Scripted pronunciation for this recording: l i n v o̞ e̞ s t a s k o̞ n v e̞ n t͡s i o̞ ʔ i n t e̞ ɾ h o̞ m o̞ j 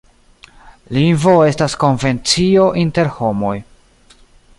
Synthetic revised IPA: l i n v o̞ e̞ s t a s k o̞ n v e̞ n t͡s i o̞ ʔ i n t e̞ ɾ h o̞ m o̞ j